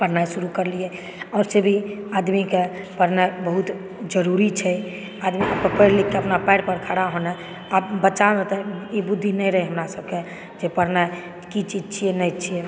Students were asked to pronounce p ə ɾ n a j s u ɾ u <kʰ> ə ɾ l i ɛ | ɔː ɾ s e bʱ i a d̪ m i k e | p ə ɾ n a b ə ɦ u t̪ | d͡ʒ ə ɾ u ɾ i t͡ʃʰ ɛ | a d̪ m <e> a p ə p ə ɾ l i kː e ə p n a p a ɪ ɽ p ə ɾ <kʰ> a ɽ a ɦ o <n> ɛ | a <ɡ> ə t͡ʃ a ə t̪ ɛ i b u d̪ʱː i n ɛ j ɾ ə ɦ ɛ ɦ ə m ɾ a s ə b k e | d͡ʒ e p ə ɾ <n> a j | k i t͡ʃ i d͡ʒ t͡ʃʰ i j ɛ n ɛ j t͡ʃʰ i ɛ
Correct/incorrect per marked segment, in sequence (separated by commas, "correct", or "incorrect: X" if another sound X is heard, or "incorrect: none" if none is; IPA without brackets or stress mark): incorrect: k, incorrect: i, correct, correct, incorrect: b, correct